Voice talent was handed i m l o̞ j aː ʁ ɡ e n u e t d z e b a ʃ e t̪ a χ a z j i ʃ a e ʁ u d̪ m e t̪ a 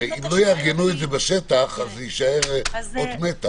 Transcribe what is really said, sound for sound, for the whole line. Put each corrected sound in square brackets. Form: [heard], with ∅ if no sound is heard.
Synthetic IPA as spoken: i m l o̞ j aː ʁ ɡ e n u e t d z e b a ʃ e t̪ a χ a z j i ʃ a e ʁ [o] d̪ m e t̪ a